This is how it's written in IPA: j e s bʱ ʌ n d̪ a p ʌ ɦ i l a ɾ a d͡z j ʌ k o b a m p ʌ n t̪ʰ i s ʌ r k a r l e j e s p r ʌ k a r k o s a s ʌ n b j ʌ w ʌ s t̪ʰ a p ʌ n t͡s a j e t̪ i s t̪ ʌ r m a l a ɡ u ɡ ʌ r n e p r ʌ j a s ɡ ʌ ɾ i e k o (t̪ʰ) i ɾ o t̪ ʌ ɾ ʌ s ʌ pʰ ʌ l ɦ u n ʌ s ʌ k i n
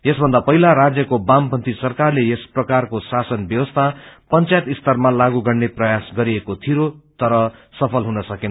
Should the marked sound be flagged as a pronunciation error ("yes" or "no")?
no